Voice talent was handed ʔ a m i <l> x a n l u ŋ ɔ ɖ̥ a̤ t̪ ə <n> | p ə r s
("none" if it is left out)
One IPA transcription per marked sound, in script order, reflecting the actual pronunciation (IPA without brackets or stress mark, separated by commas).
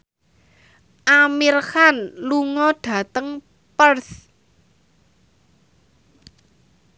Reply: r, ŋ